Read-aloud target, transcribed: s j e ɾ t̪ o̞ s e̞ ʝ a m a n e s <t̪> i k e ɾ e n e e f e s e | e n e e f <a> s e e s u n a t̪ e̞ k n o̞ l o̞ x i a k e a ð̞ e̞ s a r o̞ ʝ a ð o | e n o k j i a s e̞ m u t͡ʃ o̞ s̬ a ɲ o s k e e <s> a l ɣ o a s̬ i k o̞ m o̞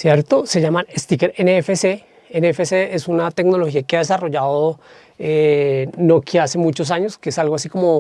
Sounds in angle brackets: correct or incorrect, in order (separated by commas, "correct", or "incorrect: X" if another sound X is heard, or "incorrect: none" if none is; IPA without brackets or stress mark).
correct, incorrect: e, correct